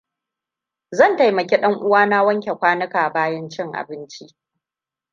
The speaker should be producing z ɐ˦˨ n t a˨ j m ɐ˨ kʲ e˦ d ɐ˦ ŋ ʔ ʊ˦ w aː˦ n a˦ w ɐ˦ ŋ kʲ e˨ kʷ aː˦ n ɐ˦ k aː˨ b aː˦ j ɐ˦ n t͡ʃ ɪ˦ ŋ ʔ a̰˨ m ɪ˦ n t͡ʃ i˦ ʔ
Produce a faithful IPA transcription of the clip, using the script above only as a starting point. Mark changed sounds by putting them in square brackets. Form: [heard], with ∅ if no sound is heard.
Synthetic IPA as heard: z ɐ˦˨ n t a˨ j m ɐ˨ kʲ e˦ [ɗ] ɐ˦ ŋ ʔ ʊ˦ w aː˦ n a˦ w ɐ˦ ŋ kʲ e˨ kʷ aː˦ n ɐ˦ k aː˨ b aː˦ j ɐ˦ n t͡ʃ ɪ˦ ŋ ʔ a̰˨ [b] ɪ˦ n t͡ʃ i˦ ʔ